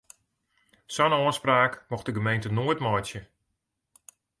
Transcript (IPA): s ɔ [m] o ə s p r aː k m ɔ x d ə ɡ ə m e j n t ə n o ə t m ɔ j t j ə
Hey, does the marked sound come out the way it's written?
no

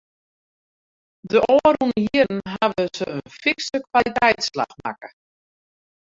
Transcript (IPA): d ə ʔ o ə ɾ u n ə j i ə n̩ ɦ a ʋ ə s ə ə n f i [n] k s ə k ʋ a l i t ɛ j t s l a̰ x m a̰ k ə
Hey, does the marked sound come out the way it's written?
no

